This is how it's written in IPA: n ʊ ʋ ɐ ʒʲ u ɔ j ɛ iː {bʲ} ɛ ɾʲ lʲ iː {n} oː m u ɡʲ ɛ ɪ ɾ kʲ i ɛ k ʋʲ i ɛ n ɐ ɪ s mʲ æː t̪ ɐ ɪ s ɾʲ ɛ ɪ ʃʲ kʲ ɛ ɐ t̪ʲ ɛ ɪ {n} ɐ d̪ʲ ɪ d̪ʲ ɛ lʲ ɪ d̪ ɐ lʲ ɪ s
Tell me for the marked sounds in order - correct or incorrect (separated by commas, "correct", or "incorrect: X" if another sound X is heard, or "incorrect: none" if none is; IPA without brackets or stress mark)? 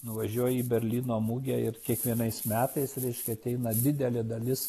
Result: correct, correct, correct